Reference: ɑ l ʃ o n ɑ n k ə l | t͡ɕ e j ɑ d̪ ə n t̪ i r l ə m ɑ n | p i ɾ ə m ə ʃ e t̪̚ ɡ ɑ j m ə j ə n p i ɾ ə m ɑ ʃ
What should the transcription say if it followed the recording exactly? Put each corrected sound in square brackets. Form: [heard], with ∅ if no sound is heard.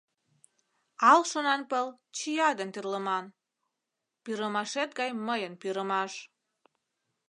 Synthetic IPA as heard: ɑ l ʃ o n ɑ n [p] ə l | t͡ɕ [i] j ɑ d̪ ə n t̪ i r l ə m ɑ n | p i ɾ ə m [ɑ] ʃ e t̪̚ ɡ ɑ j m ə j ə n p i ɾ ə m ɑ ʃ

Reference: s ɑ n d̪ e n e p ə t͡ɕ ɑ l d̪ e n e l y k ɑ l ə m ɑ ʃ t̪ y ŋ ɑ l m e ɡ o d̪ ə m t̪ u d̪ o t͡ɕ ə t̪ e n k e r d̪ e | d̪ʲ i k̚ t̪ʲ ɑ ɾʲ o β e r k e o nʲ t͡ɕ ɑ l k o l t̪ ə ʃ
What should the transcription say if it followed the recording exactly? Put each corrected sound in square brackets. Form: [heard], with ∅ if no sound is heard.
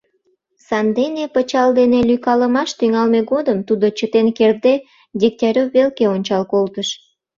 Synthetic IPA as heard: s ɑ n d̪ e n e p ə t͡ɕ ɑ l d̪ e n e l y k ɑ l ə m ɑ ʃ t̪ y ŋ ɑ l m e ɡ o d̪ ə m t̪ u d̪ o t͡ɕ ə t̪ e n k e r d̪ e | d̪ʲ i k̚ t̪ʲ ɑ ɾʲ o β e [l] k e o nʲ t͡ɕ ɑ l k o l t̪ ə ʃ

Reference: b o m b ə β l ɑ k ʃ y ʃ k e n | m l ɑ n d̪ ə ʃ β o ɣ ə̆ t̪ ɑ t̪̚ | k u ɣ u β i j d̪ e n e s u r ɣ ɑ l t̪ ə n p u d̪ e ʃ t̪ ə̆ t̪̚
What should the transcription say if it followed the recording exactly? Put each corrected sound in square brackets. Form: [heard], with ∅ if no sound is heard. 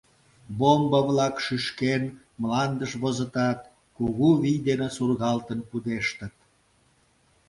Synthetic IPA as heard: b o m b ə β l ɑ k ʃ y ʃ k e n | m l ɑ n d̪ ə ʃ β o [z] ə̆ t̪ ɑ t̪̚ | k u ɣ u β i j d̪ e n e s u r ɣ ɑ l t̪ ə n p u d̪ e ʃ t̪ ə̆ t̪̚

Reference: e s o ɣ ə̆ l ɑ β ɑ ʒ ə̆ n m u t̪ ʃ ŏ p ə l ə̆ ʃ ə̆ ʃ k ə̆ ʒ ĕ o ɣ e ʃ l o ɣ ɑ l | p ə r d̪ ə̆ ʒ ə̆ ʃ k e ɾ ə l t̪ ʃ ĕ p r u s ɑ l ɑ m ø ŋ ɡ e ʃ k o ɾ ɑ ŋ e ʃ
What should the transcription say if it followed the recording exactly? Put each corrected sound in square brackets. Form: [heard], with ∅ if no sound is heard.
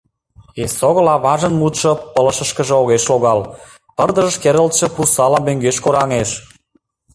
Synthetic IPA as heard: e s o ɣ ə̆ l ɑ β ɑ ʒ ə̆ n m u t̪ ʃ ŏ p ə l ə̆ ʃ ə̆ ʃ k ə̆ ʒ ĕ o ɣ e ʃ l o ɣ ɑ l | p ə r d̪ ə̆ ʒ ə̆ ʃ k e ɾ ə l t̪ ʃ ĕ p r u s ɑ l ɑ m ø ŋ ɡ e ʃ k o ɾ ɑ ŋ e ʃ

